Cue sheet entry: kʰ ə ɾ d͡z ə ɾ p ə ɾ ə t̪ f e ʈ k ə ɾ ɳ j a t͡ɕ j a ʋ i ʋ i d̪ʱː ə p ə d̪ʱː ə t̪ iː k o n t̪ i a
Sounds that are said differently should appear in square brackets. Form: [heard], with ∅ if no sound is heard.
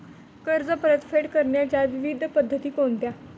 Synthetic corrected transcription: [k] ə ɾ d͡z ə [∅] p ə ɾ ə t̪ f e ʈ k ə ɾ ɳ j a t͡ɕ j a ʋ i ʋ i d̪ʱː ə p ə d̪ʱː ə t̪ iː k o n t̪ [j] a